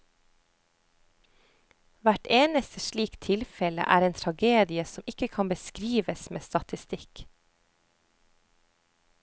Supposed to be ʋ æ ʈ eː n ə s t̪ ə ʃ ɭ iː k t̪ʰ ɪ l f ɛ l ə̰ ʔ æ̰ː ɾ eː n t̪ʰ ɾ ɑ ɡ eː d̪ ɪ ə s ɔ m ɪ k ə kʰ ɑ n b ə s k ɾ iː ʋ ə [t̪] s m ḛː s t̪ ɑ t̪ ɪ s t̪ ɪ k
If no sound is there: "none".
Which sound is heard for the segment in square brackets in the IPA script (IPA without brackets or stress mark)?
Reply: none